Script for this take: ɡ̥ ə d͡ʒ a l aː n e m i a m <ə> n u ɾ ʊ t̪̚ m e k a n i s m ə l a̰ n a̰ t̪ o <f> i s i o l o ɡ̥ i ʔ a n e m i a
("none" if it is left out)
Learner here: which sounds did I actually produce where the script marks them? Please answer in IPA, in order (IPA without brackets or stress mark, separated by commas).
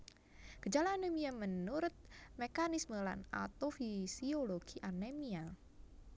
ə, f